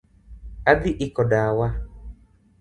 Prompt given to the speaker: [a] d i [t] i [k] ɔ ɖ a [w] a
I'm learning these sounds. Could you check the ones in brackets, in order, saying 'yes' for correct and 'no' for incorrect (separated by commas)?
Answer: yes, no, yes, yes